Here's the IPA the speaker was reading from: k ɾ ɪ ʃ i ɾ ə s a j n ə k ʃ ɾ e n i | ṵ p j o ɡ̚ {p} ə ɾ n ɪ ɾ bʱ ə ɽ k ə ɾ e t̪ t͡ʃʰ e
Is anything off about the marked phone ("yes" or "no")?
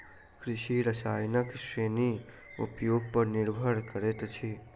no